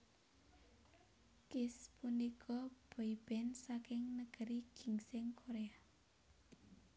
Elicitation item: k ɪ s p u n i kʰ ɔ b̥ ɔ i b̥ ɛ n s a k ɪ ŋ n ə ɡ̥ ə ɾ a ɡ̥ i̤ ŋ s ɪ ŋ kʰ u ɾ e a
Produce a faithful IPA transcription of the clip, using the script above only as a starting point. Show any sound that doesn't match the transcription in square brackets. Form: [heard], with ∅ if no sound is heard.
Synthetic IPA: k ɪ s p u n i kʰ ɔ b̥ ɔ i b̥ ɛ n s a k ɪ ŋ n ə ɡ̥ ə ɾ [i] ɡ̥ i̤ ŋ s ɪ ŋ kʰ [o] ɾ e a

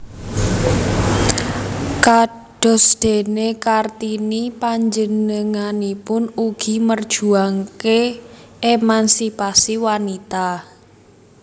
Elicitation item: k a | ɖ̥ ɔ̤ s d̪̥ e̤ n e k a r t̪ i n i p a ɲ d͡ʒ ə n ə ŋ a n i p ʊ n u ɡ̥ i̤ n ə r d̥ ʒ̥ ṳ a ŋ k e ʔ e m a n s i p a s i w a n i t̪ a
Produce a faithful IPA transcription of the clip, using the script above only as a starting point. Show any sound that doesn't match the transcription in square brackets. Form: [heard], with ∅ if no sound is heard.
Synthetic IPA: k a | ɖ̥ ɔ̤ s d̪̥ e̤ n e k a r t̪ i n i p a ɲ d͡ʒ ə n ə ŋ a n i p ʊ n u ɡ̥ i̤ [m] ə r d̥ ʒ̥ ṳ a ŋ k e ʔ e m a n s i p a s i w a n i t̪ a

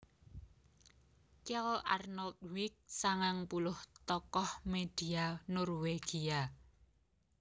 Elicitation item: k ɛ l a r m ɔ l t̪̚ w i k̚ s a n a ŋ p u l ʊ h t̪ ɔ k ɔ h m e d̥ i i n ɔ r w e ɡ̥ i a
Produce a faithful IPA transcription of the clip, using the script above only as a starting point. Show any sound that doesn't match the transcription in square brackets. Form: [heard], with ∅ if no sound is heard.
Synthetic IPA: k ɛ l a r [n] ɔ l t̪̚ w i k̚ s a [ŋ] a ŋ p u l ʊ h t̪ ɔ k ɔ h m e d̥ i [a] n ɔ r w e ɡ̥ i a

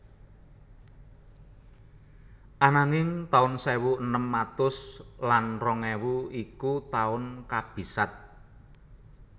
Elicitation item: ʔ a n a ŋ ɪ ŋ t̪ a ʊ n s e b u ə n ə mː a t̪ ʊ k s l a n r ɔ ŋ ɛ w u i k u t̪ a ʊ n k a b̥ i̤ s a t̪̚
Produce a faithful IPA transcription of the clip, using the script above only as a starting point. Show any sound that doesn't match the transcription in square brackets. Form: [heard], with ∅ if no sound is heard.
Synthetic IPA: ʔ a n a ŋ ɪ ŋ t̪ a ʊ n s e [w] u ə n ə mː a t̪ ʊ [∅] s l a n r ɔ ŋ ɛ w u i k u t̪ a ʊ n k a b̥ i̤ s a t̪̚

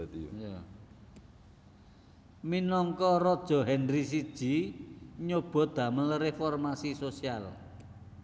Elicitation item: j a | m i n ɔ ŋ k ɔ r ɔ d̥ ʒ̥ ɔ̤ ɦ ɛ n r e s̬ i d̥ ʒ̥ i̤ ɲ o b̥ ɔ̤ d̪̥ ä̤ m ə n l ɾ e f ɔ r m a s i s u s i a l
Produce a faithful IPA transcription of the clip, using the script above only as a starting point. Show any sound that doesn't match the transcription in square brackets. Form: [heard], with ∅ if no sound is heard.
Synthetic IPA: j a | m i n ɔ ŋ k ɔ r ɔ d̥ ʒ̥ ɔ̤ ɦ ɛ n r [i] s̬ i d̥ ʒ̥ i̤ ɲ o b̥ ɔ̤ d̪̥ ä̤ m ə n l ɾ e f ɔ r m a s i s [o] s i a l

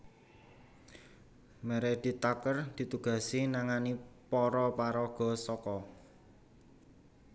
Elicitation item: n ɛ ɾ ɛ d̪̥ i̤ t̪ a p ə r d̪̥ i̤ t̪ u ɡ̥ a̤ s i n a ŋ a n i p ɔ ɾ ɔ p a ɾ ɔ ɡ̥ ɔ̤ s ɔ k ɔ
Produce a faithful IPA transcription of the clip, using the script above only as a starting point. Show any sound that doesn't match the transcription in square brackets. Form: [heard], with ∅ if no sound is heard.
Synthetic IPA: [m] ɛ ɾ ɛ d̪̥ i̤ t̪ a [k] ə r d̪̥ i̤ t̪ u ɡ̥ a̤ s i n a ŋ a n i p ɔ ɾ ɔ p a ɾ ɔ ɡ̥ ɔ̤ s ɔ k ɔ

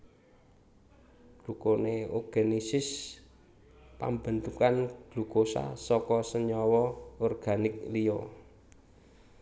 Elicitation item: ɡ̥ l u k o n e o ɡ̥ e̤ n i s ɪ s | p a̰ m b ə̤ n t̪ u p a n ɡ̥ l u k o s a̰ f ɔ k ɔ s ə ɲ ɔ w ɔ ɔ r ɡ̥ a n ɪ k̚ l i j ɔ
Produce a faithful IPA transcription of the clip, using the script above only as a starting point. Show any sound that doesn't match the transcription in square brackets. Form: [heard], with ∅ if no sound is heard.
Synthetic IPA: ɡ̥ l u k o n e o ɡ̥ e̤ n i s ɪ s | p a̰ m b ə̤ n t̪ u [k] a n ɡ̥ l u k o s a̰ [s] ɔ k ɔ s ə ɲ ɔ w ɔ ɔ r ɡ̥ a n ɪ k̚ l i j ɔ

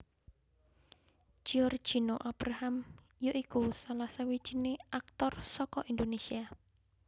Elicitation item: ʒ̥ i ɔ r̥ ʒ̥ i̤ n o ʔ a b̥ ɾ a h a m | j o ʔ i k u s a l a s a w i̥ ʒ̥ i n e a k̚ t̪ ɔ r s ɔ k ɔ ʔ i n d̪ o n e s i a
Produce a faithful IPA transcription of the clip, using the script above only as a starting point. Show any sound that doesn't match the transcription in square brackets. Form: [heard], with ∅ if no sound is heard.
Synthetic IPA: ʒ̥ i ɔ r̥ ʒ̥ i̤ n o ʔ a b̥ ɾ a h a m | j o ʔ i k u s a l a s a w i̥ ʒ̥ i n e a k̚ t̪ ɔ r s ɔ k ɔ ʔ i n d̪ o n e s i a

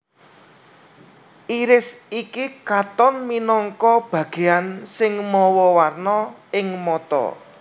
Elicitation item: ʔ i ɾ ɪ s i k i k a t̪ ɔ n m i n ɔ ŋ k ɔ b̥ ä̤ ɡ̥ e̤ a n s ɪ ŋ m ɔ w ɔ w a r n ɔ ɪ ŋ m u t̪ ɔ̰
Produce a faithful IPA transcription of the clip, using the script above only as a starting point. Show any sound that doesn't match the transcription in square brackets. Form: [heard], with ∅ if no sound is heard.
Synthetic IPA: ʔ i ɾ ɪ s i k i k a t̪ ɔ n m i n ɔ ŋ k ɔ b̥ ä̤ ɡ̥ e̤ a n s ɪ ŋ m ɔ w ɔ w a r n ɔ ɪ ŋ m [ɔ] t̪ ɔ̰

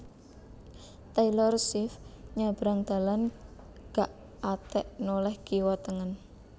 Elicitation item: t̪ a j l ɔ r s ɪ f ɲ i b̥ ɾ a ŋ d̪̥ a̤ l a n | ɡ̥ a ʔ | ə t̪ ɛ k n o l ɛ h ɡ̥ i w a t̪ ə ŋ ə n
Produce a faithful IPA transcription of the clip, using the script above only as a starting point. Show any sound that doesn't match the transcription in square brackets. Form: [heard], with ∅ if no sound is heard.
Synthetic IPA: t̪ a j l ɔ r s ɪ f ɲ [a] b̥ ɾ a ŋ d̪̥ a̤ l a n | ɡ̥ a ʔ | [a] t̪ ɛ [ʔ] n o l ɛ h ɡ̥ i w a t̪ ə ŋ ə n

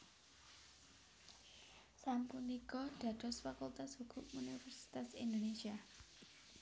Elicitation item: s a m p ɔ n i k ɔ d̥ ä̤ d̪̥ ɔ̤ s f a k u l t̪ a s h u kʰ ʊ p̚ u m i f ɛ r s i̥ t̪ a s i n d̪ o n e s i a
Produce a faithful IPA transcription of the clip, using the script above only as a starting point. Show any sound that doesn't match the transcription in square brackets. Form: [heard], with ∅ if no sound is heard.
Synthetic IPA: s a m p [u] n i k ɔ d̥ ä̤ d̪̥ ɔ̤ s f a k u l t̪ a s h u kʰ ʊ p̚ u [n] i f ɛ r s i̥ t̪ a s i n d̪ o n e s i a

